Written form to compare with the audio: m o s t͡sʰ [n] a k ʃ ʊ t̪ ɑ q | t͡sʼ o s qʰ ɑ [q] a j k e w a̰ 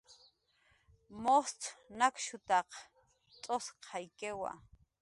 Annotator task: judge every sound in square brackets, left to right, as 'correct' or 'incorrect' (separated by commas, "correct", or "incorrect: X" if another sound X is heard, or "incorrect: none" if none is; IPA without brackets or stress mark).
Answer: correct, incorrect: none